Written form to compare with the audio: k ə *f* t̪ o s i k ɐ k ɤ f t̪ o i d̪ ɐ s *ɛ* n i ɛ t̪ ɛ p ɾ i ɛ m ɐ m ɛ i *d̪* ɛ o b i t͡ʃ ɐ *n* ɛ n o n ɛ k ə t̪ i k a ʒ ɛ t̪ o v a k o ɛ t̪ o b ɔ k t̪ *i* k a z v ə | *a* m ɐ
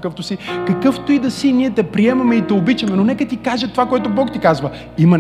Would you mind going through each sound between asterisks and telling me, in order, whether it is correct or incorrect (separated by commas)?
correct, incorrect, incorrect, incorrect, correct, incorrect